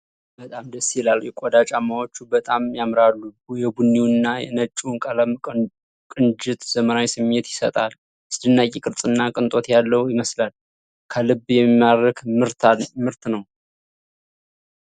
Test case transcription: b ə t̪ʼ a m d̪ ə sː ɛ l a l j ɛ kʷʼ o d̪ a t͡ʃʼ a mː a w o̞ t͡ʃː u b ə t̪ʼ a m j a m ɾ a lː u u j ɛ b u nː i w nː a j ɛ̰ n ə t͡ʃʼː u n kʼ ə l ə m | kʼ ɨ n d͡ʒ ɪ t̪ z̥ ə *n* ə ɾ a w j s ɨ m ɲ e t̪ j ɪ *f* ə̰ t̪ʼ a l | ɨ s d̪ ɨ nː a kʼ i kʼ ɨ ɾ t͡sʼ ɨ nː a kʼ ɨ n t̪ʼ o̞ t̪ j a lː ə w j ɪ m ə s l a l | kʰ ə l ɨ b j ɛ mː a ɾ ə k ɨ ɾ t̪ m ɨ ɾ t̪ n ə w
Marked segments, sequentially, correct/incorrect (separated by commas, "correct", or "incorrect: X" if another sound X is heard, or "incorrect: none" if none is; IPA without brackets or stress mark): incorrect: m, incorrect: s